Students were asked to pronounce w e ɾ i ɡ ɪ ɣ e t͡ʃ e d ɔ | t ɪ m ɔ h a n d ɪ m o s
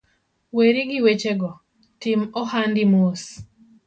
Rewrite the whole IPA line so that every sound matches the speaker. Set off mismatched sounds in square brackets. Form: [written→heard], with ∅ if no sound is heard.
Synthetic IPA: w e ɾ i ɡ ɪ [ɣ→w] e t͡ʃ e [d→ɡ] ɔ | t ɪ m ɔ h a n d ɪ m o s